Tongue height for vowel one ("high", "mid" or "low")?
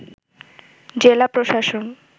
mid